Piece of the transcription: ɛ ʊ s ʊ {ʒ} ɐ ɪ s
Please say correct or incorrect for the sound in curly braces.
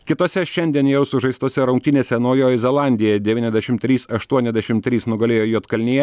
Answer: correct